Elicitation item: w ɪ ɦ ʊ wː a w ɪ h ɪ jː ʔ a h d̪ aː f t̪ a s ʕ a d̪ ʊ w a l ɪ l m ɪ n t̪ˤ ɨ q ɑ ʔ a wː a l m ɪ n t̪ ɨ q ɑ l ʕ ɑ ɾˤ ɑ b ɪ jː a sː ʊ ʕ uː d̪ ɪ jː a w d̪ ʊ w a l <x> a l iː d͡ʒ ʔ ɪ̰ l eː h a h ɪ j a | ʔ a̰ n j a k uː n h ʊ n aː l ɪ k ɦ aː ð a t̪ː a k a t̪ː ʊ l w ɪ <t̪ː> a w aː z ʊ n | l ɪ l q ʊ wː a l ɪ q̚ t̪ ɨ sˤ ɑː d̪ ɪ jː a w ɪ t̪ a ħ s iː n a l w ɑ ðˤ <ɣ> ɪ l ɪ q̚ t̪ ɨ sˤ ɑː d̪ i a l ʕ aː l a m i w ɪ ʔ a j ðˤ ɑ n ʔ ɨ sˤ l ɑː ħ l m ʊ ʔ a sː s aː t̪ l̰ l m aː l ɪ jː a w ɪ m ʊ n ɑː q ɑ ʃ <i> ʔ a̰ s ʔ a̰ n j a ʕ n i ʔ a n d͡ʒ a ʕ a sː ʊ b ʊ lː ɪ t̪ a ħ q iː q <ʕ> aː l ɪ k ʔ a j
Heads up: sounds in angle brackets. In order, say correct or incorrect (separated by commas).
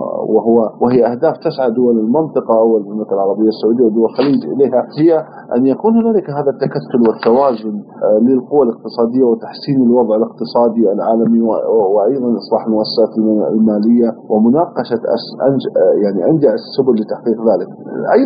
correct, correct, incorrect, incorrect, incorrect